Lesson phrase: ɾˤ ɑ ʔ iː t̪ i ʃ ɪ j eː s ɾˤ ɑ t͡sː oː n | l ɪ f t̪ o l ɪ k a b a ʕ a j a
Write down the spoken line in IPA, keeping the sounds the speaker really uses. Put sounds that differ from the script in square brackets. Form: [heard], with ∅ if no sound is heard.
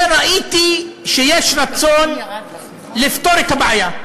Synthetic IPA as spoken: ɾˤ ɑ ʔ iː t̪ i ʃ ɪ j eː [ʃ] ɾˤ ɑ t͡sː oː n | l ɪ f t̪ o [ɾ] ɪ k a b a ʕ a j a